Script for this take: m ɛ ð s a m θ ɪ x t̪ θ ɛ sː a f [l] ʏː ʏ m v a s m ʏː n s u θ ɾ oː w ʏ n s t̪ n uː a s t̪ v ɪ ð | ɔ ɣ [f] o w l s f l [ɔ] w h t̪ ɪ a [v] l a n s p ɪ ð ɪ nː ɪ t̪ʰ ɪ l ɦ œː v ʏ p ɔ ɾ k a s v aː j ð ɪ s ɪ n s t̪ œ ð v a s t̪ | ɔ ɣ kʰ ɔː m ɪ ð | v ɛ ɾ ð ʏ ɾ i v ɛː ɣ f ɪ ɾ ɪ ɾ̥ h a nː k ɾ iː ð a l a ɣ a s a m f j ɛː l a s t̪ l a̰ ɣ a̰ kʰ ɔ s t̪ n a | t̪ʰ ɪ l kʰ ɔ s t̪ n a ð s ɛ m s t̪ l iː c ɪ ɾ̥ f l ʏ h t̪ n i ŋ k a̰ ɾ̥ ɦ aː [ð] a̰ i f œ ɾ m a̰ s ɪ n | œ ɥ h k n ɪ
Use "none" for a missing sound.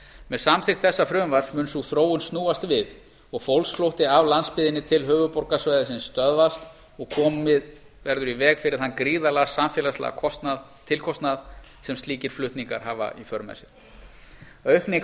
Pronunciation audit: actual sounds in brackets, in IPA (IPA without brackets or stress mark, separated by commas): ɾ, f, o, v, v